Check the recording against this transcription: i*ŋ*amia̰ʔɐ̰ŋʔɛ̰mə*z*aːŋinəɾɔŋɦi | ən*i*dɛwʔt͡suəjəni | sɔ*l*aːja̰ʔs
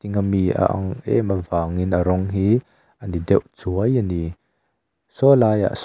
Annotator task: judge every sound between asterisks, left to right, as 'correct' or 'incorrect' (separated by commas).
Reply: correct, incorrect, correct, correct